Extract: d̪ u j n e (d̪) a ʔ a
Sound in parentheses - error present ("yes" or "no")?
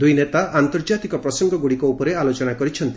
yes